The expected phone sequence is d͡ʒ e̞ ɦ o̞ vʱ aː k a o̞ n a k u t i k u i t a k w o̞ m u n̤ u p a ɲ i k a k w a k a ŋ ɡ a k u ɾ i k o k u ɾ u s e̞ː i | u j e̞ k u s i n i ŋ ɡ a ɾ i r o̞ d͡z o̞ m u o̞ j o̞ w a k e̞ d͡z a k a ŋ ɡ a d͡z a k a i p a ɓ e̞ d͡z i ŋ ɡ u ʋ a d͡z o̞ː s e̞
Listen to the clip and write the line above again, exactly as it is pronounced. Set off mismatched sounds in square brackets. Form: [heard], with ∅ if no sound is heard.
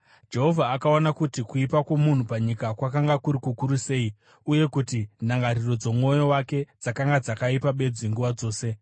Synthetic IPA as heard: d͡ʒ e̞ ɦ o̞ vʱ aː k a o̞ n a k u t i k u i [p] a k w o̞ m u n̤ u p a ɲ i k a k w a k a ŋ ɡ a k u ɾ i k [u] k u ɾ u s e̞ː i | u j e̞ k u [t] i n [a] ŋ ɡ a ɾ i r o̞ d͡z o̞ m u o̞ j o̞ w a k e̞ d͡z a k a ŋ ɡ a d͡z a k a i p a ɓ e̞ d͡z i ŋ ɡ u ʋ a d͡z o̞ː s e̞